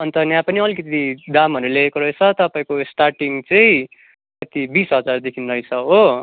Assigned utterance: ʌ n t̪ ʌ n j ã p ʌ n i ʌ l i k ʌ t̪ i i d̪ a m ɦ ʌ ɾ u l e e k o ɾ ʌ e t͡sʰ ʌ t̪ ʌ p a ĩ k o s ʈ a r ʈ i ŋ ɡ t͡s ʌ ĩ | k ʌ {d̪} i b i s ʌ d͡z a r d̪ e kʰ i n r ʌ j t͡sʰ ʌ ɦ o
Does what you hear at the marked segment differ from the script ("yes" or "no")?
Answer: yes